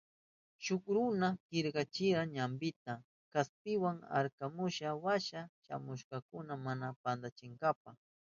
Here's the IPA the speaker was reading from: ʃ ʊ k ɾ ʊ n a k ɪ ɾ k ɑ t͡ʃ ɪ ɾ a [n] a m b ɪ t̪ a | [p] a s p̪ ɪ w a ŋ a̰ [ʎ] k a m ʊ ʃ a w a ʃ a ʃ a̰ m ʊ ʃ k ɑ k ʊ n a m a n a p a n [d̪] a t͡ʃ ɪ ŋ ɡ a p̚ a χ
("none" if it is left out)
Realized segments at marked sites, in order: ɲ, k, ɾ, d̪

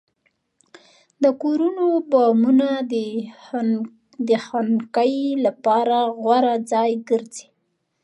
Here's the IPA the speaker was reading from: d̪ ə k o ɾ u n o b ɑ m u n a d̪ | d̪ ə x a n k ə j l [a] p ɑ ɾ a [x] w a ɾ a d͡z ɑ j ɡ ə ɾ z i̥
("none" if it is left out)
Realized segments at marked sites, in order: a, ɣ

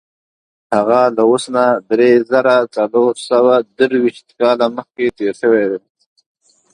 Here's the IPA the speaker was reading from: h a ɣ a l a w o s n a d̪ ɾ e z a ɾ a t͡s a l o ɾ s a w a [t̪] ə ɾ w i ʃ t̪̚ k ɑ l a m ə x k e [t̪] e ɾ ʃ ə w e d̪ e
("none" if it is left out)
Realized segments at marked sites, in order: d̪, t̪

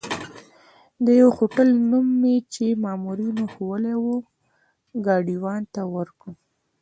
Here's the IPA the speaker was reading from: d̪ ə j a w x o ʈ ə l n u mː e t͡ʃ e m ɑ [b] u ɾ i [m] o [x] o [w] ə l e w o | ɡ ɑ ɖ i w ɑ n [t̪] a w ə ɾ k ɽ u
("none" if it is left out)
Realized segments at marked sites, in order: m, n, x, w, t̪

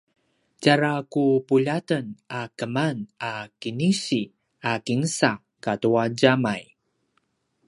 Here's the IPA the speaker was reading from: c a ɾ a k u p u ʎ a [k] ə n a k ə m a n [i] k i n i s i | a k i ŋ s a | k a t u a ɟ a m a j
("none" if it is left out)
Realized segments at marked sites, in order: t, a

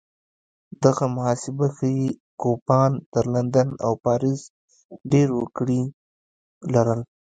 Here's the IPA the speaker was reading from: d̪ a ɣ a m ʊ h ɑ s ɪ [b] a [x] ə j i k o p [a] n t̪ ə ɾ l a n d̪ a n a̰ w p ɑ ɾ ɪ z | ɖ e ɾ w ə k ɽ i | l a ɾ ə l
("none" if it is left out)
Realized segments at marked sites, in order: b, x, ɑ

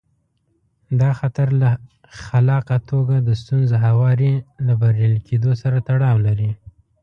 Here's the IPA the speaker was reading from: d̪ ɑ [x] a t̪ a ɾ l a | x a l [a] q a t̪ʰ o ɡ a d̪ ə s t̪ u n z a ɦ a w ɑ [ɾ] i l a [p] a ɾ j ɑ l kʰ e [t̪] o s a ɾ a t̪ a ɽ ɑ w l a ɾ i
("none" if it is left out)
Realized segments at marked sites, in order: x, ɑ, ɾ, b, d̪

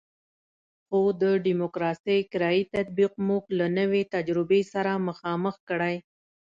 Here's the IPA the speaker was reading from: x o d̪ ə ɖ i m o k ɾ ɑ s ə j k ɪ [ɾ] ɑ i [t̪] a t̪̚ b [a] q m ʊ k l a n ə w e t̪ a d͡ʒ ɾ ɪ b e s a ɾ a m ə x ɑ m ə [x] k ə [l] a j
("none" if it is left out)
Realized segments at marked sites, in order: ɾ, t̪, i, x, ɽ

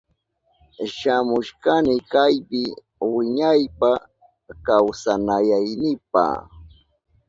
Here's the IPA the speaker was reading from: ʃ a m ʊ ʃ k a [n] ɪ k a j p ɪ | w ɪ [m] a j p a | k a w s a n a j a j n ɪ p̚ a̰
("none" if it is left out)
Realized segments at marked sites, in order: n, ɲ

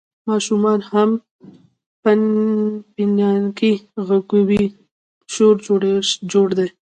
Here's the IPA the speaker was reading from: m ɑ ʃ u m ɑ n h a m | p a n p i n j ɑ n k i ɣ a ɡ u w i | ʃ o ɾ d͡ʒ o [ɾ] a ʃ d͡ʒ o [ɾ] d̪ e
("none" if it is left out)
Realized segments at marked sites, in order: ɽ, ɽ

